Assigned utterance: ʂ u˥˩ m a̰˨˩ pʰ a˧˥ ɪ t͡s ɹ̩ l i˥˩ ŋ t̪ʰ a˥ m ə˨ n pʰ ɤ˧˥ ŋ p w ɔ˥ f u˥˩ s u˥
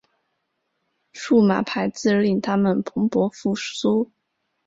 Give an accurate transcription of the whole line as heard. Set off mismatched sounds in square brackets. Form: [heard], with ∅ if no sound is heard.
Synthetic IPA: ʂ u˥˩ m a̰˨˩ pʰ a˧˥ ɪ t͡s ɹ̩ l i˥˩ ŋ t̪ʰ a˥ m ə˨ n pʰ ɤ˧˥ ŋ p w [ɔ˧˥] f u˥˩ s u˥

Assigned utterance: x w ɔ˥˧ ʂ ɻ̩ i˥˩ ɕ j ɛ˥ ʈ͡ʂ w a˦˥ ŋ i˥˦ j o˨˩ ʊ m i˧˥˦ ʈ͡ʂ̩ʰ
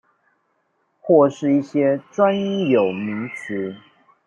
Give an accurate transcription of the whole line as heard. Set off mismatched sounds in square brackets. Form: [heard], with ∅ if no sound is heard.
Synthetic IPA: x w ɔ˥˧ ʂ ɻ̩ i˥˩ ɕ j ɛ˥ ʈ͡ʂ w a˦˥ [n] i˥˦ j o˨˩ ʊ m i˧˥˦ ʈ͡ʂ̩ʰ

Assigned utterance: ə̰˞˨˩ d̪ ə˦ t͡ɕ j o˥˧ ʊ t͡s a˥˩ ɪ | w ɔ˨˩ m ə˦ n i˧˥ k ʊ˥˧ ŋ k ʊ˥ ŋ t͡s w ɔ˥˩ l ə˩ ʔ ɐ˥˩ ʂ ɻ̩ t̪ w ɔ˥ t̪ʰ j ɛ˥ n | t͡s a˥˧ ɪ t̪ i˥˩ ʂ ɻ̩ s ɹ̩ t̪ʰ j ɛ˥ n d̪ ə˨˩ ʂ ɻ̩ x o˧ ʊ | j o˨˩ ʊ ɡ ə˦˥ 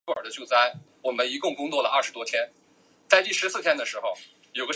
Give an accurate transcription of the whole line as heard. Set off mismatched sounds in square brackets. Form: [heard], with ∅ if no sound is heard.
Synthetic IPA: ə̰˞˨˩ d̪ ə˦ t͡ɕ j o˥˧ ʊ t͡s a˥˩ ɪ | w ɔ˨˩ m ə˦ n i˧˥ k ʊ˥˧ ŋ k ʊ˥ ŋ t͡s w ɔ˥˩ l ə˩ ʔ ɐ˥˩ ʂ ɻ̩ t̪ w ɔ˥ t̪ʰ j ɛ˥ n | t͡s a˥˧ ɪ t̪ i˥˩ ʂ ɻ̩ s ɹ̩ t̪ʰ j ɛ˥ n d̪ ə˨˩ ʂ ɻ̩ x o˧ ʊ | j o˨˩ ʊ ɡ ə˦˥

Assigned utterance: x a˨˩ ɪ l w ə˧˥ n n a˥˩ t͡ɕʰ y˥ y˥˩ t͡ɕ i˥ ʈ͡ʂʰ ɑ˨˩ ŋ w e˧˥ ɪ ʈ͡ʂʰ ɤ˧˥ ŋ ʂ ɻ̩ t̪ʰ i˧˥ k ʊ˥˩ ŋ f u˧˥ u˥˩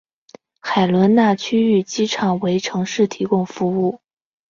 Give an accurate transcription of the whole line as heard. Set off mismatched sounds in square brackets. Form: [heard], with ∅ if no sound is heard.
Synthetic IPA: x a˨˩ ɪ l w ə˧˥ n n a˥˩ t͡ɕʰ y˥ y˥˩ t͡ɕ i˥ ʈ͡ʂʰ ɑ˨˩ ŋ w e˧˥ ɪ ʈ͡ʂʰ ɤ˧˥ ŋ ʂ ɻ̩ t̪ʰ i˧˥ k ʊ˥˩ ŋ f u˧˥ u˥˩

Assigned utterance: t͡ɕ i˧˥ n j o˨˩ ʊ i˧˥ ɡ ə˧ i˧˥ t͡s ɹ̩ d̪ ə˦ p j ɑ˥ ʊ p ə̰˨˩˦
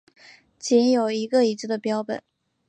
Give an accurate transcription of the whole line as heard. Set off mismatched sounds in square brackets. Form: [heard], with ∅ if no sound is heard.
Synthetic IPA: t͡ɕ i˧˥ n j o˨˩ ʊ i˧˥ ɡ ə˧ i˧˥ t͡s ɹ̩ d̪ [ə˨] p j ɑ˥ ʊ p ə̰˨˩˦

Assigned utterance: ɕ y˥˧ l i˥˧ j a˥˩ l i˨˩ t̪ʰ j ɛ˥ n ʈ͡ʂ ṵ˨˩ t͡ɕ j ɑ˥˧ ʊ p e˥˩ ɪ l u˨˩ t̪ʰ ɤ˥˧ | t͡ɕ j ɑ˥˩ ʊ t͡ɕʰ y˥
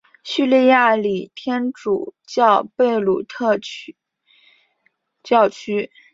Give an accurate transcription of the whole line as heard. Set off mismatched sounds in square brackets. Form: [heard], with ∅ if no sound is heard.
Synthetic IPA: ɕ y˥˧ l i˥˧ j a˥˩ l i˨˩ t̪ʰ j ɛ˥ n ʈ͡ʂ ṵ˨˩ t͡ɕ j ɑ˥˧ ʊ p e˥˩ ɪ l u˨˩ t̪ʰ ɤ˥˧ | t͡ɕ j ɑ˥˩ ʊ t͡ɕʰ y˥

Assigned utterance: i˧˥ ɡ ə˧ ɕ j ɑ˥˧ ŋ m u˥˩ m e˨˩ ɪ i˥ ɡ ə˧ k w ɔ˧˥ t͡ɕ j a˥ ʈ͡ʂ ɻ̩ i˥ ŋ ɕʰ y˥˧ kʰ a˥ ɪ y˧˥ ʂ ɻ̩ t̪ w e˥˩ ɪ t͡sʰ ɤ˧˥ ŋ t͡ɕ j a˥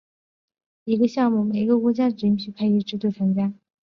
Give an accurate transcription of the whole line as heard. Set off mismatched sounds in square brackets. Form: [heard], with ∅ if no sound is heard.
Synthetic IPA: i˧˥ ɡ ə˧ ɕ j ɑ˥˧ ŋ m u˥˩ m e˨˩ ɪ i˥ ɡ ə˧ k w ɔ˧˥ t͡ɕ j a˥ ʈ͡ʂ ɻ̩ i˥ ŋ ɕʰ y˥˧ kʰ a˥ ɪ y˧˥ [ʈ͡ʂ] ɻ̩ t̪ w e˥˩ ɪ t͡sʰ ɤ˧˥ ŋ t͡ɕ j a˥

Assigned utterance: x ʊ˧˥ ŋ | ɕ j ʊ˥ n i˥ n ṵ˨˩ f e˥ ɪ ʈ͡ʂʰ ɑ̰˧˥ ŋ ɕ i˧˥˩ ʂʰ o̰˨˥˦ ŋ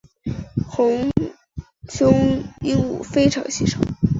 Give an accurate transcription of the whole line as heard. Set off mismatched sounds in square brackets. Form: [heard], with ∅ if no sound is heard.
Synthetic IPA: x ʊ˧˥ ŋ | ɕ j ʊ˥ [ŋ] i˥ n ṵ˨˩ f e˥ ɪ ʈ͡ʂʰ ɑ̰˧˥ ŋ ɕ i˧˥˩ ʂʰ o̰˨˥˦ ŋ

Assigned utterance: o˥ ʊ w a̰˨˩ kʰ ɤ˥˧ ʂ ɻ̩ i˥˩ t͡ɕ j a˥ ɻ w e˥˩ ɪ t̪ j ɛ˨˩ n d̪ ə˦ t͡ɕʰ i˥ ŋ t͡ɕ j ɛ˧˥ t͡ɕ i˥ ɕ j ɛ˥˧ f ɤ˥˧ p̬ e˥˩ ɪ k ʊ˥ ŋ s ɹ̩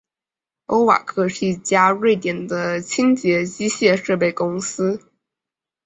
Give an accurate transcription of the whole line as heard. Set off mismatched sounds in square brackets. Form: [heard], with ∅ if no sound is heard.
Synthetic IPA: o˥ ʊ w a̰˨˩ kʰ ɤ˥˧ ʂ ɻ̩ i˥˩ t͡ɕ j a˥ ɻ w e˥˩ ɪ t̪ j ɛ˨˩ n d̪ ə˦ t͡ɕʰ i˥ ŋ t͡ɕ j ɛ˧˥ t͡ɕ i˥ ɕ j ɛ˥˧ [ʂ] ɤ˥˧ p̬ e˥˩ ɪ k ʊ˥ ŋ s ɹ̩

